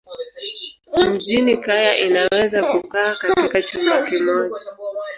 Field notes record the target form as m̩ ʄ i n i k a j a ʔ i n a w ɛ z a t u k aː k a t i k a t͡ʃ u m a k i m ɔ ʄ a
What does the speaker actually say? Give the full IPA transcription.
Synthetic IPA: m̩ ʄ i n i k a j a ʔ i n a w ɛ z a k u k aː k a t i k a t͡ʃ u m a k i m ɔ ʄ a

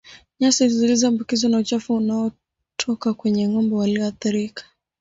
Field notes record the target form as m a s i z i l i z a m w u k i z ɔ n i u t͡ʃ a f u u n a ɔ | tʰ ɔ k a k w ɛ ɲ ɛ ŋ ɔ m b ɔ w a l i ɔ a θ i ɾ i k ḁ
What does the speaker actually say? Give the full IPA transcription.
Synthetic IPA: ɲ a s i z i l i z a m b u k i z ɔ n a u t͡ʃ a f u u n a ɔ | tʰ ɔ k a k w ɛ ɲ ɛ ŋ ɔ m b ɔ w a l i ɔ a θ i ɾ i k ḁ

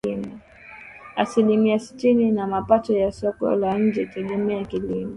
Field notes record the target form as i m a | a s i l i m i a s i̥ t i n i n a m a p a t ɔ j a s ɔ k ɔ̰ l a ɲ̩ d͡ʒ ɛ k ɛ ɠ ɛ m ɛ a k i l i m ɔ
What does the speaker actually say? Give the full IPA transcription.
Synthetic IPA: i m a | a s i l i m i a s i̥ t i n i n a m a p a t ɔ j a s ɔ k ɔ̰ l a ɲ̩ d͡ʒ ɛ t ɛ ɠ ɛ m ɛ a k i l i m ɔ

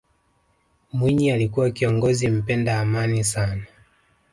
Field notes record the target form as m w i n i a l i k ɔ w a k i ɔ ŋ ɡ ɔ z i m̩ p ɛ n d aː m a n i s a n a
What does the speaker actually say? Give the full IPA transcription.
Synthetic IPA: m w i ɲ i a l i k u w a k i ɔ ŋ ɡ ɔ z i m̩ p ɛ n d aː m a n i s a n a

